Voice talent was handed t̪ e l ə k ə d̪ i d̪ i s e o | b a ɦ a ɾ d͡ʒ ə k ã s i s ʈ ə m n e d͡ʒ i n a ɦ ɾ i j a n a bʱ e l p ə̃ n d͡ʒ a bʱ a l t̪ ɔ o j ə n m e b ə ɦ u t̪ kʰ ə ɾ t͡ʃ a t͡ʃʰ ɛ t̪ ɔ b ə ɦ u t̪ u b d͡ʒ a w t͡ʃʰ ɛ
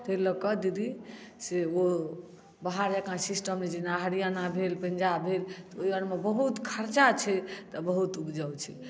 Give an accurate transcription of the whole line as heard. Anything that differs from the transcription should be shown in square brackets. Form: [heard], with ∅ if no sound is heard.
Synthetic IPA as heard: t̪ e l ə k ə d̪ i d̪ i s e o | b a ɦ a ɾ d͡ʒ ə k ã s i s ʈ ə m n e d͡ʒ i n a ɦ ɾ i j a n a bʱ e l p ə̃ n d͡ʒ a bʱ [e] l t̪ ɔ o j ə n m e b ə ɦ u t̪ kʰ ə ɾ t͡ʃ a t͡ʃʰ ɛ t̪ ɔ b ə ɦ u t̪ u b d͡ʒ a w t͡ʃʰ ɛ

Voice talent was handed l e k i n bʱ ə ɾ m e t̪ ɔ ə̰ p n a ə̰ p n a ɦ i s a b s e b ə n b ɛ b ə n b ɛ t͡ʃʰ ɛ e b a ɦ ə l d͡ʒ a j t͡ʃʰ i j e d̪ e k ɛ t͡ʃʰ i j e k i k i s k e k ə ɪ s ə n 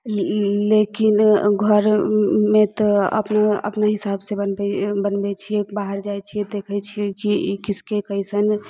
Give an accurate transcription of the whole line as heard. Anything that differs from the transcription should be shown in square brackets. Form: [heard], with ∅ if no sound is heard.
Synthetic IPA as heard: l e k i n [ɡʱ] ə ɾ m e t̪ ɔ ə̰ p n a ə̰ p n a ɦ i s a b s e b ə n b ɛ b ə n b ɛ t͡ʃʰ [i] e b a ɦ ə [ɾ] d͡ʒ a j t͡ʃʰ i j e d̪ e [kʰ] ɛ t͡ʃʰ i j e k i k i s k e k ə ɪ s ə n

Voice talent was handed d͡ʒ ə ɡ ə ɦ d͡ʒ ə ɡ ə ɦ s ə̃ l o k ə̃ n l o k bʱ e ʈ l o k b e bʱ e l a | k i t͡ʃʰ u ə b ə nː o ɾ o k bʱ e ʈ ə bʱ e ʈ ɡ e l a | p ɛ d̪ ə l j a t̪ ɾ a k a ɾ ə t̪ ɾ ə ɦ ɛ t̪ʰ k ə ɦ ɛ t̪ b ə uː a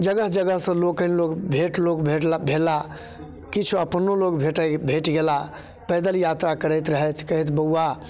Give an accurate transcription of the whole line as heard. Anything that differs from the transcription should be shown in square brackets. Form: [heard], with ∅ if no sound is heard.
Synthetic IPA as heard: d͡ʒ ə ɡ ə ɦ d͡ʒ ə ɡ ə ɦ s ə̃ l o k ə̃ n l o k bʱ e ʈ l o k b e bʱ e l a | k i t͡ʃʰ u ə [p] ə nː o [l] o k bʱ e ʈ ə bʱ e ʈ ɡ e l a | p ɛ d̪ ə l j a t̪ ɾ a k [ə] ɾ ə t̪ ɾ ə ɦ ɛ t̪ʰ k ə ɦ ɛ t̪ b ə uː a

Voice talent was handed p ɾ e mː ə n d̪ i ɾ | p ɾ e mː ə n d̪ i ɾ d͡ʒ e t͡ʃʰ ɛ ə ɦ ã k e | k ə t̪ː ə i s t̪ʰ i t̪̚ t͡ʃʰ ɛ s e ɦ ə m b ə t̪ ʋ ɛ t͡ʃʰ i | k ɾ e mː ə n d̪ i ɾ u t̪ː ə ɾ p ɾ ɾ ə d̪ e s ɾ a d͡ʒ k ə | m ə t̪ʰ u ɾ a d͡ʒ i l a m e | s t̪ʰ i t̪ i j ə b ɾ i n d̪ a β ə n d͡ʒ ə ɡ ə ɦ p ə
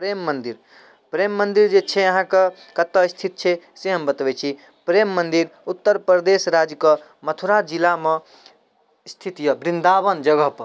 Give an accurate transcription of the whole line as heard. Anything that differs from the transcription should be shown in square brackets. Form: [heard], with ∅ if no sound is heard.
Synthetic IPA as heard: p ɾ e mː ə n d̪ i ɾ | p ɾ e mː ə n d̪ i ɾ d͡ʒ e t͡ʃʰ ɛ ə ɦ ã k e | k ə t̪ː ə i s t̪ʰ i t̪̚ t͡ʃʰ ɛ s e ɦ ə m b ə t̪ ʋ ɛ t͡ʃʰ i | [p] ɾ e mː ə n d̪ i ɾ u t̪ː ə ɾ p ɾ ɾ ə d̪ e s ɾ a d͡ʒ k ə | m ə t̪ʰ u ɾ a d͡ʒ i l a m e | s t̪ʰ i t̪ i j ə b ɾ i n d̪ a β ə n d͡ʒ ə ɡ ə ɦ p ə

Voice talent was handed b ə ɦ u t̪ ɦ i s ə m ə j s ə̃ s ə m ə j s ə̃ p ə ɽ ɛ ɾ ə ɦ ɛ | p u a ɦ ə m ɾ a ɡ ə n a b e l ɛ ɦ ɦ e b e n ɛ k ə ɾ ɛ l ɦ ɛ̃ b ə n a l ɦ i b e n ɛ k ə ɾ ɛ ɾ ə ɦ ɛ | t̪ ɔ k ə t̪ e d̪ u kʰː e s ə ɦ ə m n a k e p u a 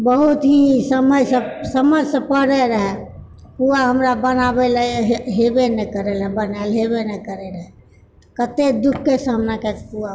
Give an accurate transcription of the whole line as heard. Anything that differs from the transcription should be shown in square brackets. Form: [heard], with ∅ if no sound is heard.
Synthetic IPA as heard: b ə ɦ u t̪ ɦ i s ə m ə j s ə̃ s ə m ə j s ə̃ p ə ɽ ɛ ɾ ə ɦ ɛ | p u a ɦ ə m ɾ a [b] ə n a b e l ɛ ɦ ɦ e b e n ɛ k ə ɾ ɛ l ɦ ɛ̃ b ə n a l ɦ [e] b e n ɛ k ə ɾ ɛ ɾ ə ɦ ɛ | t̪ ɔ k ə t̪ e d̪ u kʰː e s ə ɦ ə m n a k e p u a

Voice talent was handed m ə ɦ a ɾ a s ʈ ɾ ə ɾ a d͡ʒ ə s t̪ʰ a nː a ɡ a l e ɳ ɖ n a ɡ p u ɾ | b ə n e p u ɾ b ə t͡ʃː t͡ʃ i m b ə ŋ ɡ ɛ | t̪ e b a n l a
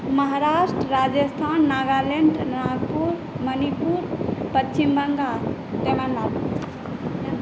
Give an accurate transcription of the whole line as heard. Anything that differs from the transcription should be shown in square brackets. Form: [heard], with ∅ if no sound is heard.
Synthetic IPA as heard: m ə ɦ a ɾ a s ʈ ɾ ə ɾ a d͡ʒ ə s t̪ʰ a nː a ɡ a l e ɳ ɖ n a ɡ p u ɾ | [m] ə n [i] p u ɾ [p] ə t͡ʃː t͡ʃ i m b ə ŋ ɡ [a] | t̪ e [m] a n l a

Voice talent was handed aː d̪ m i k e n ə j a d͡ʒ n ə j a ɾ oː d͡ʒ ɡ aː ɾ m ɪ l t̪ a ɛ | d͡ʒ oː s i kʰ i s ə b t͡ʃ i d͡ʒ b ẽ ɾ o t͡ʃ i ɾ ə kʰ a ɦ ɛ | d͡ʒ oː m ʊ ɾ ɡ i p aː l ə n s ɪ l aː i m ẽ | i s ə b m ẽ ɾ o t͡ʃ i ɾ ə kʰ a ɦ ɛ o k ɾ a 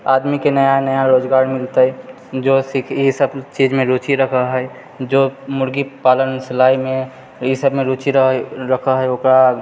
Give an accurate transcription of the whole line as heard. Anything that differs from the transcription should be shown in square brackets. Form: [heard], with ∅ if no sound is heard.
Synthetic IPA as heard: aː d̪ m i k e n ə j a [∅] n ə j a ɾ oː d͡ʒ ɡ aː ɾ m ɪ l t̪ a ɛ | d͡ʒ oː s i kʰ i s ə b t͡ʃ i d͡ʒ [m] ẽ ɾ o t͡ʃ i ɾ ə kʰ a ɦ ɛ | d͡ʒ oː m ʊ ɾ ɡ i p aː l ə n s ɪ l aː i m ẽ | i s ə b m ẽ ɾ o t͡ʃ i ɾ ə kʰ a ɦ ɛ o k ɾ a

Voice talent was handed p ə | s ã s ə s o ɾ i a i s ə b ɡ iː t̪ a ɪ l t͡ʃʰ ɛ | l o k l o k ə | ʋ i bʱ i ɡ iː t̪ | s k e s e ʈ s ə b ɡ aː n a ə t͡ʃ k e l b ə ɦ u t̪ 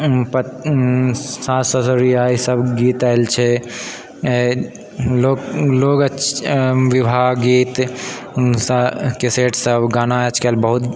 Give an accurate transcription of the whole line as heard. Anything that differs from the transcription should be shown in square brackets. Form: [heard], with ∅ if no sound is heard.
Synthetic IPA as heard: p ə | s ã s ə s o ɾ i a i s ə b ɡ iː t̪ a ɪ l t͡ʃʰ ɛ | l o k l o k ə | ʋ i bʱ [a] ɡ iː t̪ | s k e s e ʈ s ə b ɡ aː n a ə t͡ʃ k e l b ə ɦ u t̪

